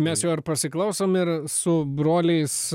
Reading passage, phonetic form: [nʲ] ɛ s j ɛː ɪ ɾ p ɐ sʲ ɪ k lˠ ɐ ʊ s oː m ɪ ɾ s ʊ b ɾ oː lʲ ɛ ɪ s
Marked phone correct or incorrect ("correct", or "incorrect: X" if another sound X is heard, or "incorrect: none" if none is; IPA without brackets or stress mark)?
incorrect: mʲ